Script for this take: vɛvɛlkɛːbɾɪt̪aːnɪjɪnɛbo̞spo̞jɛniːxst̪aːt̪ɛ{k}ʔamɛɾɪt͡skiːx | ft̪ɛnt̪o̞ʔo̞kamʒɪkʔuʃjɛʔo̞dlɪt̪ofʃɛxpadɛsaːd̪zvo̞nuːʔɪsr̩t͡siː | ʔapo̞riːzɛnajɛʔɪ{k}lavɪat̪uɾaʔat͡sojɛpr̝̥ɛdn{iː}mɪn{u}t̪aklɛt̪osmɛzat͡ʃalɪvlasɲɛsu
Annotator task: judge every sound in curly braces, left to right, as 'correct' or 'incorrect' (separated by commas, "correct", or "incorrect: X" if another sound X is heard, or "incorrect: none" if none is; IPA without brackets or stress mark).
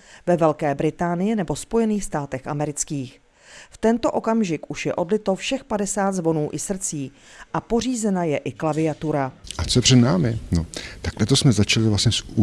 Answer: incorrect: x, correct, incorrect: aː, incorrect: o